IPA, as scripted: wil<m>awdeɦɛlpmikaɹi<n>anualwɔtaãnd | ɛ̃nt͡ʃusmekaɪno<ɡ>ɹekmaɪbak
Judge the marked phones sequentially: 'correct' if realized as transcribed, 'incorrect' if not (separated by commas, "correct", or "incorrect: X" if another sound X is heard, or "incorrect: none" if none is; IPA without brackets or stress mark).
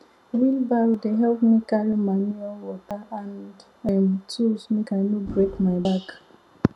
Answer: incorrect: b, incorrect: m, incorrect: b